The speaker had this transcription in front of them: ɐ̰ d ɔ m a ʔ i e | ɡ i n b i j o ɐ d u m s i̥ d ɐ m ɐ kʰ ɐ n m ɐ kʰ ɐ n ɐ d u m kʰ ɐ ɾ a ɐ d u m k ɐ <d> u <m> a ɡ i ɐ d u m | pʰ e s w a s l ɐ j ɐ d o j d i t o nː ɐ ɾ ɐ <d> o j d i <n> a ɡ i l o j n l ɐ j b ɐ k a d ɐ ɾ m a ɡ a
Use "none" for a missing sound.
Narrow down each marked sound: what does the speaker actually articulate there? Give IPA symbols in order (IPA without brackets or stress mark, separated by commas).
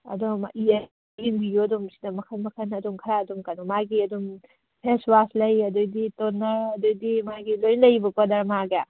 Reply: n, m, d, m